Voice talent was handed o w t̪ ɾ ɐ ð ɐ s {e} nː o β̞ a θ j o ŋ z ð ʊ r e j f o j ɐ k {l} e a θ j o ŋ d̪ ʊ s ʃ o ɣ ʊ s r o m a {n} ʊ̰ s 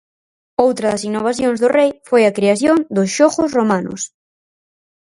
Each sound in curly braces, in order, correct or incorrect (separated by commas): incorrect, incorrect, correct